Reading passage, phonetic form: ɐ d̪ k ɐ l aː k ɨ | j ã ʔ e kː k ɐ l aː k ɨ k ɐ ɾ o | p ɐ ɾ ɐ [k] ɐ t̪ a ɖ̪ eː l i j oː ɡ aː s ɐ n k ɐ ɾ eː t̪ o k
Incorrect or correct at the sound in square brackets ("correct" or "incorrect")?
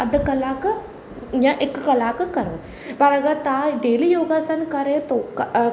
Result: incorrect